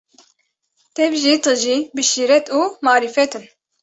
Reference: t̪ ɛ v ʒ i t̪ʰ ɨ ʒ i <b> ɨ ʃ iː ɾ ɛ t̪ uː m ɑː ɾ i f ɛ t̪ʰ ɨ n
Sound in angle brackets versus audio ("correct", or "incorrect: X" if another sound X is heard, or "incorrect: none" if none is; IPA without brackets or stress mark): correct